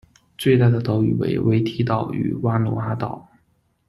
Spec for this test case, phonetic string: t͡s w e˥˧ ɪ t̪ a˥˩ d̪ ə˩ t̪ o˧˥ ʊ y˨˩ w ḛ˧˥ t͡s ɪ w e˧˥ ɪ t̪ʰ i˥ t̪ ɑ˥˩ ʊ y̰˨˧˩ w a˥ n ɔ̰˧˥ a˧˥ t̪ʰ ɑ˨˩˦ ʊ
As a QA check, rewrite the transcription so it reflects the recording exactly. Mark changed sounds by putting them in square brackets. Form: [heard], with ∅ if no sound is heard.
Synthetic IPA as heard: t͡s w e˥˧ ɪ t̪ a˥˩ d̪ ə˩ t̪ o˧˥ ʊ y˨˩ w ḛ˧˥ [∅] ɪ w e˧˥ ɪ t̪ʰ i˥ t̪ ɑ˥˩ ʊ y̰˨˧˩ w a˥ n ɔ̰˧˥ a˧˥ [t̪] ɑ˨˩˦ ʊ